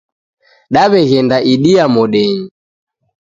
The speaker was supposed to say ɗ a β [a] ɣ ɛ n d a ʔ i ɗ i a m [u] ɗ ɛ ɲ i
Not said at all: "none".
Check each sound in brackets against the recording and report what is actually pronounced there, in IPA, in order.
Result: ɛ, ɔ

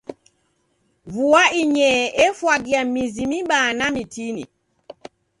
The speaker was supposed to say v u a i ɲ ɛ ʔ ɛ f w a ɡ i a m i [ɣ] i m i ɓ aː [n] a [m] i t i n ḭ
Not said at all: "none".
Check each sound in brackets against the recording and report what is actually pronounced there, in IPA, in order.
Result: z, n, m

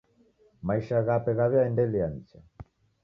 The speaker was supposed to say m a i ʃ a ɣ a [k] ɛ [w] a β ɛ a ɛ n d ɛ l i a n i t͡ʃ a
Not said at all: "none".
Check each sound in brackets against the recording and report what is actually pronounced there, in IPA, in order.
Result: p, ɣ

